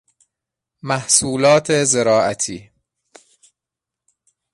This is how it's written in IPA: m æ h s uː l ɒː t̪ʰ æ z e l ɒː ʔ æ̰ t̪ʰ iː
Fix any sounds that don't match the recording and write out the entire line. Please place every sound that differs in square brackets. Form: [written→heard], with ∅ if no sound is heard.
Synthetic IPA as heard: m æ h s uː l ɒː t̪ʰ [æ→e] z e [l→ɾ] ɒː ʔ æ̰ t̪ʰ iː